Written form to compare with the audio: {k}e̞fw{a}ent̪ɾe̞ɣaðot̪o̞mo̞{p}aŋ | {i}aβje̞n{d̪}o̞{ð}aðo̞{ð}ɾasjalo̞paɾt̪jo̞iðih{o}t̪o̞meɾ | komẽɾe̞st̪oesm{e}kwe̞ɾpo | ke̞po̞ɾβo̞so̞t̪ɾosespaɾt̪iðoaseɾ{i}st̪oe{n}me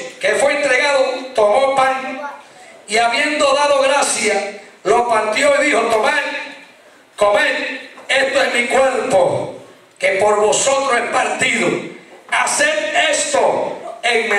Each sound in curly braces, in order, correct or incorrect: correct, incorrect: e, correct, correct, correct, correct, incorrect: ɣ, correct, incorrect: i, incorrect: e, incorrect: ŋ

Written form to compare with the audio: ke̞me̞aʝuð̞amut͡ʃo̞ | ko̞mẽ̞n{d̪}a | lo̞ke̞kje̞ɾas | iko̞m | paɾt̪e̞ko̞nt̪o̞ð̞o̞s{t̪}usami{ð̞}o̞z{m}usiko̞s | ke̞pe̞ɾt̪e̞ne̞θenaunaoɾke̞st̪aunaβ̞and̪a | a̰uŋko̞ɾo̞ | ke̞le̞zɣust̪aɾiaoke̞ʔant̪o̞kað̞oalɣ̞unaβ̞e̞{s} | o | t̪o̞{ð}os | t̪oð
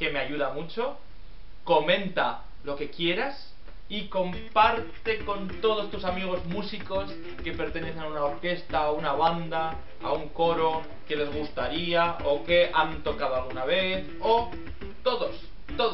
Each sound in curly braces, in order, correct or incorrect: incorrect: t̪, correct, incorrect: ɣ̞, correct, incorrect: θ, correct

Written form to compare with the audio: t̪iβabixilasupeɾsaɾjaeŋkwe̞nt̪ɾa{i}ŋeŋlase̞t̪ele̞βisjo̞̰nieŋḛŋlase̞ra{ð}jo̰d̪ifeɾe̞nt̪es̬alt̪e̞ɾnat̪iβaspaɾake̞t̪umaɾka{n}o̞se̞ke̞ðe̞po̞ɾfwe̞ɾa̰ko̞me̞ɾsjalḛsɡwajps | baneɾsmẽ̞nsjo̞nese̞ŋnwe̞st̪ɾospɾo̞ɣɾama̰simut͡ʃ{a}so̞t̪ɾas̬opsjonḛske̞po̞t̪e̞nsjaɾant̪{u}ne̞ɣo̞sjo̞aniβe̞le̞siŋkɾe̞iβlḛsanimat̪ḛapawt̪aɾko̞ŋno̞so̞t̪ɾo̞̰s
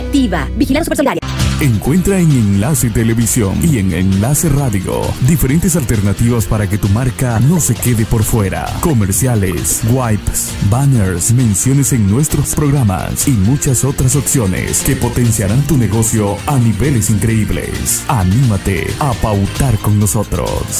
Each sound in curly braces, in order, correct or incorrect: incorrect: e, correct, correct, correct, correct

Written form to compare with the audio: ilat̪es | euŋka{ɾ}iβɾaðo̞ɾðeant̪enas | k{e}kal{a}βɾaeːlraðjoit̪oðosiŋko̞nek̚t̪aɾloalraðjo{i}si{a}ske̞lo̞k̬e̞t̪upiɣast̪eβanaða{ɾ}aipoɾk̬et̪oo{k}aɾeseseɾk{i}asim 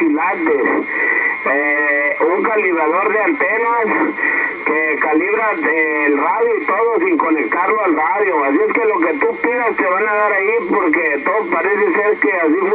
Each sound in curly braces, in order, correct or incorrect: incorrect: l, correct, incorrect: i, incorrect: a, incorrect: e, correct, incorrect: p, incorrect: e

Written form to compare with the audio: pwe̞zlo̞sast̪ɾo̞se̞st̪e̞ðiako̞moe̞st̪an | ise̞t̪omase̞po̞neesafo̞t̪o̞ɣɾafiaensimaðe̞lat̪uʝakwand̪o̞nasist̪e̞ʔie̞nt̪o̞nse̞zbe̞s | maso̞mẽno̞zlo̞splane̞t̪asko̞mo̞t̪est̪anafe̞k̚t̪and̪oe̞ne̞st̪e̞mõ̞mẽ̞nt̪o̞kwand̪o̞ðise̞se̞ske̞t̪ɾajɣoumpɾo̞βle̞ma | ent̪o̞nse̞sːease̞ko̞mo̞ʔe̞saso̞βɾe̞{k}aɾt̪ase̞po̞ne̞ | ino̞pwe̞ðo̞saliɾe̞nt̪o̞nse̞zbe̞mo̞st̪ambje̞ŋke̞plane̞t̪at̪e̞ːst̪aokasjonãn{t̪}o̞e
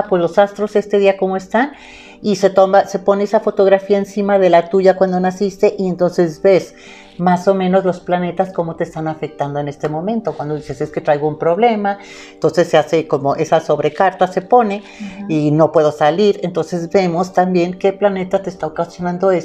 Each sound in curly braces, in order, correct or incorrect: correct, incorrect: d̪

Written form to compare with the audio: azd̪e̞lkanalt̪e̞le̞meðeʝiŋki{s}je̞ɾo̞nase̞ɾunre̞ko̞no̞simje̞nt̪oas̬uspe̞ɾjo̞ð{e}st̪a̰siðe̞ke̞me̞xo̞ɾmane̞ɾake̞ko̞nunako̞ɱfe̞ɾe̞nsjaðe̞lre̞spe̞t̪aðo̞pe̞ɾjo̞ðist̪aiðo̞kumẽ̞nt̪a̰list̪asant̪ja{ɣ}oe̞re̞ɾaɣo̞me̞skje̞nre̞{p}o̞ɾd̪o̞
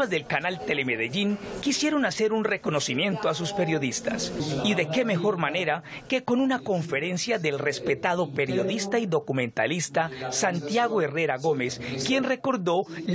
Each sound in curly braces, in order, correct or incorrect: correct, incorrect: i, correct, incorrect: k

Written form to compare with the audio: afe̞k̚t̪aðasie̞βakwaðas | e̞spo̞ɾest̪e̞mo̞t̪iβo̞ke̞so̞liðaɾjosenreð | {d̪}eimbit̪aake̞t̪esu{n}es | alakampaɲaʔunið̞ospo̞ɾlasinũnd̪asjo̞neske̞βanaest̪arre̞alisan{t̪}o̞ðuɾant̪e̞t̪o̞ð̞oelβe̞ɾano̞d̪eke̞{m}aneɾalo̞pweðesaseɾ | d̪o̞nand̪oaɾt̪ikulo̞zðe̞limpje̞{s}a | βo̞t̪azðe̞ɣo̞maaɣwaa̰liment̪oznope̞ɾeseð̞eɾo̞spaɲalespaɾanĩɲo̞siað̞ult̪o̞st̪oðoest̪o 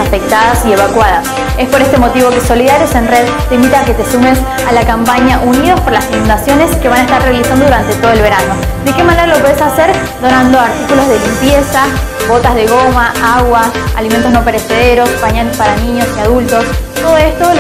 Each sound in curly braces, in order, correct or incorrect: incorrect: t̪, incorrect: m, incorrect: d̪, correct, correct

